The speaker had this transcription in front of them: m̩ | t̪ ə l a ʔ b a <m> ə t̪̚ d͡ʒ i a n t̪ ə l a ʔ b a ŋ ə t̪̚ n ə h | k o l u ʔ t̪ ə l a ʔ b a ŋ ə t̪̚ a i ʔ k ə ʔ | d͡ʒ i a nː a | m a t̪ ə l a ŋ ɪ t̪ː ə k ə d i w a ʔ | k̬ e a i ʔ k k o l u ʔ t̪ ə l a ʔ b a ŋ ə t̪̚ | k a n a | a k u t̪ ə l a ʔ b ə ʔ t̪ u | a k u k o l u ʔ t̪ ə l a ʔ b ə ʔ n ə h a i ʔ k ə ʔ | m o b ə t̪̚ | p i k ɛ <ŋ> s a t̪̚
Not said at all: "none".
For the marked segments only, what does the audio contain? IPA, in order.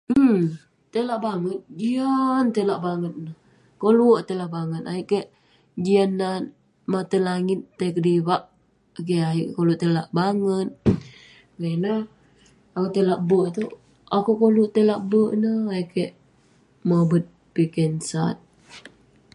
ŋ, n

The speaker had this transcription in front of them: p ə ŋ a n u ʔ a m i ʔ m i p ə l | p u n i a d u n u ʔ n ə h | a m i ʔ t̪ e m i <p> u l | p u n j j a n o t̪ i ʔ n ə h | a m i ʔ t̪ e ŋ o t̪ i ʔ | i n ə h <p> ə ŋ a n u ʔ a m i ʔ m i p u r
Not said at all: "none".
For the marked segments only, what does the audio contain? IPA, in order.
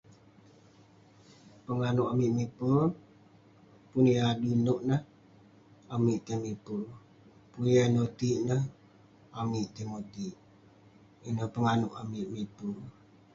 p, p

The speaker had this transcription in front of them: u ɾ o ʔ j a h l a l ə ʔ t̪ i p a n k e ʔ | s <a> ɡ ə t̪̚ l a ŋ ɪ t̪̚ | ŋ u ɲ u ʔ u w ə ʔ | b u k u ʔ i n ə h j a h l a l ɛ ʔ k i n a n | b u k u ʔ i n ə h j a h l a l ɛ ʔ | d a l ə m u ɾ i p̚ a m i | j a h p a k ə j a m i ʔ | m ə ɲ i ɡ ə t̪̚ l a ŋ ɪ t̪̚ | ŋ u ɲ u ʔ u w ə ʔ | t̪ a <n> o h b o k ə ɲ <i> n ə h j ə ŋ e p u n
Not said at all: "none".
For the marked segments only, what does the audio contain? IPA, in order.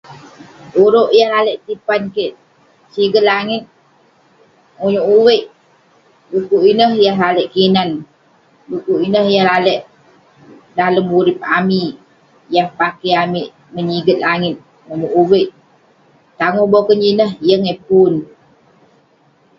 i, ŋ, i

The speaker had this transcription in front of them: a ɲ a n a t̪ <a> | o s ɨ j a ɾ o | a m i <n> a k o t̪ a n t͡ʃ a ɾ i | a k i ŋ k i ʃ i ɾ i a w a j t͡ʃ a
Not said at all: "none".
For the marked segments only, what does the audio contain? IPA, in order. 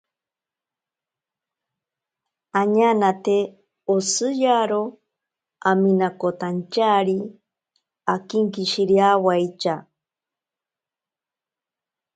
e, n

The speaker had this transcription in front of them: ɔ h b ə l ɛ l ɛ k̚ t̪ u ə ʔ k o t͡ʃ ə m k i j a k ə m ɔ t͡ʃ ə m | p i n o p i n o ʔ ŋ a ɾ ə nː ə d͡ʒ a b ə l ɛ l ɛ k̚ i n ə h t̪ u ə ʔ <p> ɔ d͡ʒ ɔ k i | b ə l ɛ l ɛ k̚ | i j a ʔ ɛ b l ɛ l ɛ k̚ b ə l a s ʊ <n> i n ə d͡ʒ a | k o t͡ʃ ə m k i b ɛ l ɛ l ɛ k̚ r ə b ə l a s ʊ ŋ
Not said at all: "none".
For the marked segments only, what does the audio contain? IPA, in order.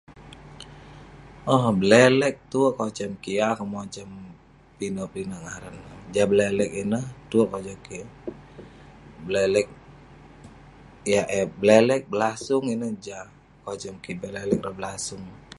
k, ŋ

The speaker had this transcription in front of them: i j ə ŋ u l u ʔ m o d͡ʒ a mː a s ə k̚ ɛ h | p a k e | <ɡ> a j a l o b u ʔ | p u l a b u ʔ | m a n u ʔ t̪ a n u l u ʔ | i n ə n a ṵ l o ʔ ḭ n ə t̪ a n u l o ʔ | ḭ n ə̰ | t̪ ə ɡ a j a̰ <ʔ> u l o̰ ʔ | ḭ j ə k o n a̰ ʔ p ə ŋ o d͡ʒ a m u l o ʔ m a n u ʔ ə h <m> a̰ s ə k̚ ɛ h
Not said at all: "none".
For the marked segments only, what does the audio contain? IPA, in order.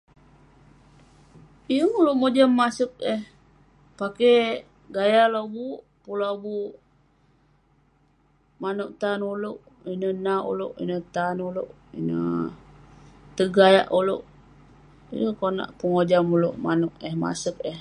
ɡ, ʔ, m

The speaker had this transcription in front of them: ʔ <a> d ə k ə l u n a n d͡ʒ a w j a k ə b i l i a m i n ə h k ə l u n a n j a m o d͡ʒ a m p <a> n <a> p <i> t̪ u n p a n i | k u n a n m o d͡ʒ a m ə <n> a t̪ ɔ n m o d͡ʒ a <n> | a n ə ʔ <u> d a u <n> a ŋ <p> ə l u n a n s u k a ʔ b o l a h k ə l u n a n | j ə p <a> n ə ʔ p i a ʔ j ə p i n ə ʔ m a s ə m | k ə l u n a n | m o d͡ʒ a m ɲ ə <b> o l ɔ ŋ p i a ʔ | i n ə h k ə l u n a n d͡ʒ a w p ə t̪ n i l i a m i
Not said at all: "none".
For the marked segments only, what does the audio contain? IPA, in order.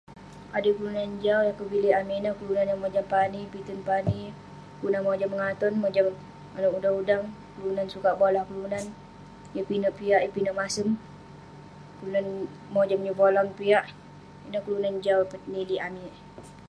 a, a, i, i, ŋ, m, u, d, k, i, b

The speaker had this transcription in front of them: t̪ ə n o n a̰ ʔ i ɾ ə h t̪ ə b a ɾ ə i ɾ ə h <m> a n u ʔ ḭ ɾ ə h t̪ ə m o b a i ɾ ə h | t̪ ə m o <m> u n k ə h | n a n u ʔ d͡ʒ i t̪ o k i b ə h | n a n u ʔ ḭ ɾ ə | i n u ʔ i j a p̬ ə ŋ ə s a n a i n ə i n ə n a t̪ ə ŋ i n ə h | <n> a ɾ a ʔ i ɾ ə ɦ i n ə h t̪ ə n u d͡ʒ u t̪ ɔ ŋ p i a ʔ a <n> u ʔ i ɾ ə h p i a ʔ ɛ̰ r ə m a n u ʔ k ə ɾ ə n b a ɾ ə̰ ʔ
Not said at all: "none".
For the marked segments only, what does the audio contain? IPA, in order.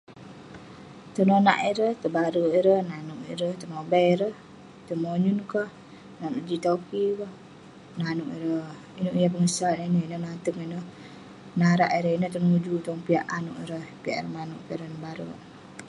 n, ɲ, n, n

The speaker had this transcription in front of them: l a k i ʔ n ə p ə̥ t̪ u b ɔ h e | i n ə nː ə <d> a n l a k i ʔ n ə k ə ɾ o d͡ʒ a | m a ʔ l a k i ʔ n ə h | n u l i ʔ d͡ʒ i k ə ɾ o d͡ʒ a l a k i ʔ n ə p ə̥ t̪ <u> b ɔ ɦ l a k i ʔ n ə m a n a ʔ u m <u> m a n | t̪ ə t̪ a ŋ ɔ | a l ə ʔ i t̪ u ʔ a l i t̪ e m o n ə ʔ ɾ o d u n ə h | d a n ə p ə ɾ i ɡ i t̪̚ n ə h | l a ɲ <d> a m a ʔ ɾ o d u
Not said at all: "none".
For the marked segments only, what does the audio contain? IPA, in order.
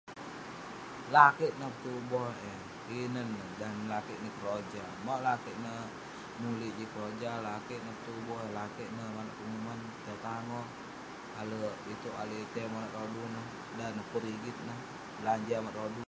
d, u, u, d͡ʒ

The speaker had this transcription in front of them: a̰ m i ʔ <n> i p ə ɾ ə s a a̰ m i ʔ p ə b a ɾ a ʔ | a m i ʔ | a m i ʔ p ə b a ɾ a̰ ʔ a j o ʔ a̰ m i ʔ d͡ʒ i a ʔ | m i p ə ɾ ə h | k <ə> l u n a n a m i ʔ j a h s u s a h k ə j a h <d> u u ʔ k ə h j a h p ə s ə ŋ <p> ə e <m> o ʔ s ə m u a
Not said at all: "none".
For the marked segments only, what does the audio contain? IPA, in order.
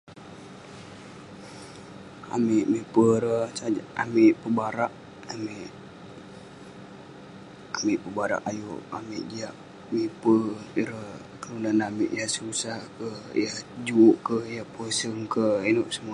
m, ə, d͡ʒ, k, n

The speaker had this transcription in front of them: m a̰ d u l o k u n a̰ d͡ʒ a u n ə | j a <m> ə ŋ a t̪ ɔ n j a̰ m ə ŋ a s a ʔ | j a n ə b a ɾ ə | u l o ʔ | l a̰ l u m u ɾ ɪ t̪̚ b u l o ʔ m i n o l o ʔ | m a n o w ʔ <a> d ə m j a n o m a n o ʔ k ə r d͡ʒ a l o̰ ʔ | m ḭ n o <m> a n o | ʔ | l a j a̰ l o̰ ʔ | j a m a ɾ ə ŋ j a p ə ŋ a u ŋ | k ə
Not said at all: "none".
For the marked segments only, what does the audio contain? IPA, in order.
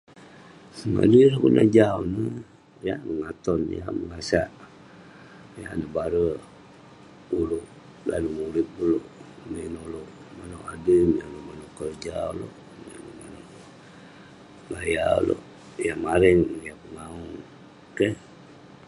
m, a, m

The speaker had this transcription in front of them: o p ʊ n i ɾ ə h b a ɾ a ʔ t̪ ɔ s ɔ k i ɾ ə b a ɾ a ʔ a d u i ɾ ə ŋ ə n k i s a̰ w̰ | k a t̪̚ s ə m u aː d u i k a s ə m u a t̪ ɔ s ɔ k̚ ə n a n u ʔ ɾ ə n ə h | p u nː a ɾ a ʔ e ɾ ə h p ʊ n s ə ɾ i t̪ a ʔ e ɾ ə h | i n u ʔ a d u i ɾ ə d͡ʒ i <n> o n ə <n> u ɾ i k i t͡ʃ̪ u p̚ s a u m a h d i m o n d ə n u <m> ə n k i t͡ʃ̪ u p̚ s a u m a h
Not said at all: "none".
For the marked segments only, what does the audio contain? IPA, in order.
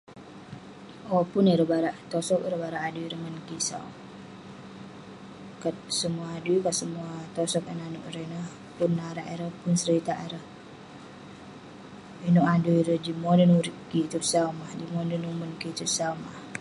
m, n, m

